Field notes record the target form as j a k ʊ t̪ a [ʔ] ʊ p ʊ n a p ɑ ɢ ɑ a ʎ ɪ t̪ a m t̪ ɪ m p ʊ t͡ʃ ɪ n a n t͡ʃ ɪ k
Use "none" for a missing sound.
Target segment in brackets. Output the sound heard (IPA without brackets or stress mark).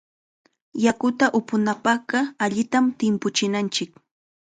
ʔ